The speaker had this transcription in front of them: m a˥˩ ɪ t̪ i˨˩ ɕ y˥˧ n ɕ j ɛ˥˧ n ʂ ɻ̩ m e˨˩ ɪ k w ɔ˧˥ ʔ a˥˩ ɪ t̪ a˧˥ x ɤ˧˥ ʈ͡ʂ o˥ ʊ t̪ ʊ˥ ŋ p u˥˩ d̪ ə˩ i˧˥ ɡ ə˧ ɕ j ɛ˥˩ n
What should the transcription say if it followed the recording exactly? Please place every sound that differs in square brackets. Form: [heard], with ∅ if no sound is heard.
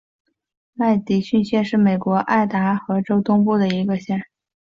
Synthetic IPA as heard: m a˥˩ ɪ t̪ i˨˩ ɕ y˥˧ n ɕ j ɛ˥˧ n ʂ ɻ̩ m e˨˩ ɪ k w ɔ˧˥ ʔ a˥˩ ɪ t̪ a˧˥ x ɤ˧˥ ʈ͡ʂ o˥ ʊ t̪ ʊ˥ ŋ p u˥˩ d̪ ə˩ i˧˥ ɡ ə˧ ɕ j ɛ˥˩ n